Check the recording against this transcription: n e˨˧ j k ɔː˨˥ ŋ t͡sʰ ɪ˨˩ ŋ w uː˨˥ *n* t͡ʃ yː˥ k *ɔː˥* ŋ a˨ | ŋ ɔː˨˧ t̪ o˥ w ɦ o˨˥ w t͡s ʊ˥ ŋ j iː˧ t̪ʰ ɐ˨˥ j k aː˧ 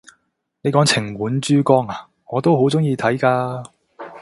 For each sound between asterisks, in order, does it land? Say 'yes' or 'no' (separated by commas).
yes, yes